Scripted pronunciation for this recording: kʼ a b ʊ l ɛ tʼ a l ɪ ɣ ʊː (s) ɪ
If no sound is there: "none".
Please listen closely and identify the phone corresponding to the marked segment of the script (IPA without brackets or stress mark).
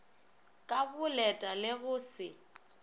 s